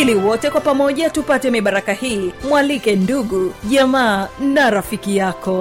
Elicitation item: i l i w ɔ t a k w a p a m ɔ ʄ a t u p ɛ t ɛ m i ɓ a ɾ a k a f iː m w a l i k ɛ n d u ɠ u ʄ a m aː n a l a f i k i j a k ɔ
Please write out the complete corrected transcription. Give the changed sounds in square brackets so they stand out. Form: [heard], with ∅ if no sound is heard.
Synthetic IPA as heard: i l i w ɔ t [ɛ] k w a p a m ɔ ʄ a t u p [a] t ɛ m i ɓ a ɾ a k a [h] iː m w a l i k ɛ n d u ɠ u ʄ a m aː n a [ɾ] a f i k i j a k ɔ